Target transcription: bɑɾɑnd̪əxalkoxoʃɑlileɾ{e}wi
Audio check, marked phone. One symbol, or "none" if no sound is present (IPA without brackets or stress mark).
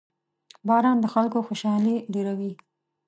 a